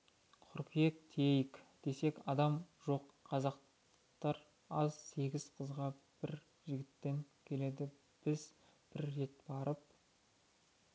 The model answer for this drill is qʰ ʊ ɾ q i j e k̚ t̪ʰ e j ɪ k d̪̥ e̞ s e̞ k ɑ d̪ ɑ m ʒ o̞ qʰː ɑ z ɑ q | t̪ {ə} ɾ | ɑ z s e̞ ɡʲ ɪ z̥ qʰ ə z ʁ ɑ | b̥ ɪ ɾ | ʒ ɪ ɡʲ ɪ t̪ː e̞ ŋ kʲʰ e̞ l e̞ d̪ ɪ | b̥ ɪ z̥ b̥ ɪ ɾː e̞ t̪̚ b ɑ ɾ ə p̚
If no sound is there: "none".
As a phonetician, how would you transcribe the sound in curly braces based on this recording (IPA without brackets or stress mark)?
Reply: ɑ